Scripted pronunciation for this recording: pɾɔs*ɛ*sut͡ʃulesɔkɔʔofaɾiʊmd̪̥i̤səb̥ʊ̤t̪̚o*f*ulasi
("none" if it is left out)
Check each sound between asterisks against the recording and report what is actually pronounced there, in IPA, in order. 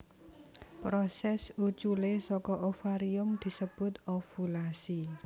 ɛ, f

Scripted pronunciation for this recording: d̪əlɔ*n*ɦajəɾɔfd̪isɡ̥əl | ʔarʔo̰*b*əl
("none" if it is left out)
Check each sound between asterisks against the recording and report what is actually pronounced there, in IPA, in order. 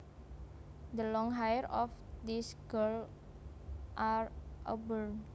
ŋ, b

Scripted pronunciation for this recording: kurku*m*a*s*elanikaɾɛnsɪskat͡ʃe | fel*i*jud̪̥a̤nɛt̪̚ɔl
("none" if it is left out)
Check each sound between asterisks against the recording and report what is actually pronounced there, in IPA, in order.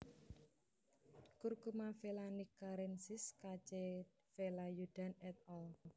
m, f, a

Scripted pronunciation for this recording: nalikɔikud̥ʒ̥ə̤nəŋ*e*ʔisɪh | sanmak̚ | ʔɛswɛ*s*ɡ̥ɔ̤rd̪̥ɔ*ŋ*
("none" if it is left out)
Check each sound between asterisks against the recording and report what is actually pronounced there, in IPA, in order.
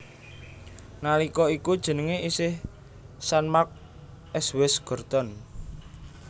e, s, n

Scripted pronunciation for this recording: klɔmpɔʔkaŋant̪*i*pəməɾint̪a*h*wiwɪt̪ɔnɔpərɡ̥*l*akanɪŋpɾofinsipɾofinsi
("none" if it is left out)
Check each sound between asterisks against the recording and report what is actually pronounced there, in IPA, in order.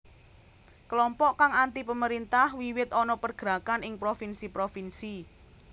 i, h, ɾ

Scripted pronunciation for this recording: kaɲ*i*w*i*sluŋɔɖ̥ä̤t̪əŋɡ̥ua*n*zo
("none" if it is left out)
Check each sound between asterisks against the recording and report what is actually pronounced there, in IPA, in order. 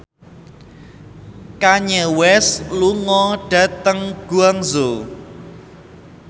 ɛ, ɛ, ŋ

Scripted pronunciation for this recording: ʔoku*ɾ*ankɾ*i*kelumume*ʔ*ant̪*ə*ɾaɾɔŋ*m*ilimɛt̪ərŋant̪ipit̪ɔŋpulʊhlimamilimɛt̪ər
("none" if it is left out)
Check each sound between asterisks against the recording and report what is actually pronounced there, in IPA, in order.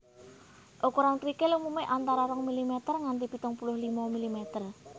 ɾ, i, ʔ, a, m

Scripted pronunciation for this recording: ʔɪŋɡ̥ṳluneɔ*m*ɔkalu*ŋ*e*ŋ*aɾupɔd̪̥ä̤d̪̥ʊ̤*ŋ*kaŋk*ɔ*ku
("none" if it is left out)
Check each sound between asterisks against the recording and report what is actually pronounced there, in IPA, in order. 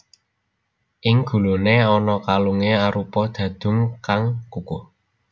n, ŋ, none, ŋ, u

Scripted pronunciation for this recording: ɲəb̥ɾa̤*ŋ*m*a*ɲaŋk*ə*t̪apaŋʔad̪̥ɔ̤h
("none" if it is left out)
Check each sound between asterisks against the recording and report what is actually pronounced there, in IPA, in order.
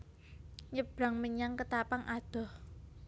ŋ, ə, ə

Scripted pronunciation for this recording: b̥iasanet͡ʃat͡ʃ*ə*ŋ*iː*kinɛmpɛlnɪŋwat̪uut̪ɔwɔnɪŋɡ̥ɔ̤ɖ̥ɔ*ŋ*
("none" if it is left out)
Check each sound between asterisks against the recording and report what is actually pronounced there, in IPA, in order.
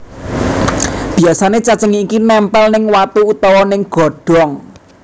ə, iː, ŋ

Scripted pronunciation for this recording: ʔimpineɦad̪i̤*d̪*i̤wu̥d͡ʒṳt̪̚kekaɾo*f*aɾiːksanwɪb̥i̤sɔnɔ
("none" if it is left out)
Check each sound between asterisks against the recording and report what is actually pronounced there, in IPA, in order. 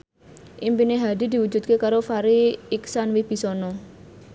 d̪, f

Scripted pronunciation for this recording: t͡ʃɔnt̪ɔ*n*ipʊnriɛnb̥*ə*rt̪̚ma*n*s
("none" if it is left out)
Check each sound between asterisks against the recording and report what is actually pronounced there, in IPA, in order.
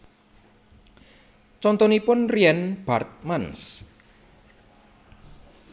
n, a, n

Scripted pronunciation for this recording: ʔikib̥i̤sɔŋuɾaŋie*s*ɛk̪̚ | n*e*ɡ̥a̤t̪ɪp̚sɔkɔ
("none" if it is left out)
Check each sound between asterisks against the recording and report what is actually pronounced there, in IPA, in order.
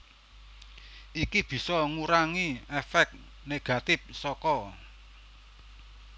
f, e

